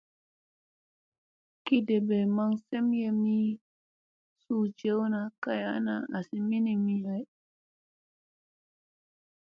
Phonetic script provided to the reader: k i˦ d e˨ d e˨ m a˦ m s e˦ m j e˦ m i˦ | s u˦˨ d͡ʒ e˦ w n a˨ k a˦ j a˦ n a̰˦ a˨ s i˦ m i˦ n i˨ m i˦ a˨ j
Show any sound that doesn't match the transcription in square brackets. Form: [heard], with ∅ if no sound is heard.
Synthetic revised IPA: k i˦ d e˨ [b] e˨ m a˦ [ŋ] s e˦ m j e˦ m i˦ | s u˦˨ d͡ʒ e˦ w n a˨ k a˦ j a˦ n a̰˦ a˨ s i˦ m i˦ n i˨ m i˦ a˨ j